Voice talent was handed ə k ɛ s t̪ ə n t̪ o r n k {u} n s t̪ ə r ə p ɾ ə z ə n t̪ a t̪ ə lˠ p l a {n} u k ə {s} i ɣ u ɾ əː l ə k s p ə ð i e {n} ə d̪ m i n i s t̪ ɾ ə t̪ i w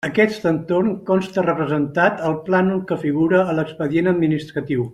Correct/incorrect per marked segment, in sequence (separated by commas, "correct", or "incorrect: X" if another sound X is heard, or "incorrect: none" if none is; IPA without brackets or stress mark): incorrect: ɔ, correct, incorrect: f, correct